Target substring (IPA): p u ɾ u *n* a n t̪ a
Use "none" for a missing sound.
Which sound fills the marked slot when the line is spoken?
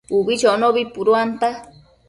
none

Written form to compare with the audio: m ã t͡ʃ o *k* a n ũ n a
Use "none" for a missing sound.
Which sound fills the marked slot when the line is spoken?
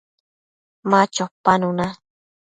p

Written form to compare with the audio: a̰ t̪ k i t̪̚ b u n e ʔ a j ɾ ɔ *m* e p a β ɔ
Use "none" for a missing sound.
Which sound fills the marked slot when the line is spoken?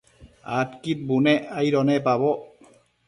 n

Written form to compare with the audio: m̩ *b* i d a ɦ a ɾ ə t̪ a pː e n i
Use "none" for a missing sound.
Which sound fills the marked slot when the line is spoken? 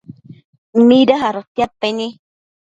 m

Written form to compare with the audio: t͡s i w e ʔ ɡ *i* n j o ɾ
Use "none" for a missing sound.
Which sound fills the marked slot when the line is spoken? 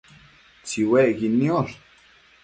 i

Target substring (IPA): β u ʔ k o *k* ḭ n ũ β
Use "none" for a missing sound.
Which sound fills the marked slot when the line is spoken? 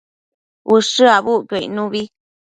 none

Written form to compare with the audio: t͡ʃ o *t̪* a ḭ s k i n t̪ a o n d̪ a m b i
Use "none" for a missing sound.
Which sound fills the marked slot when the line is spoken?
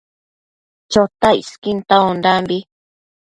t̪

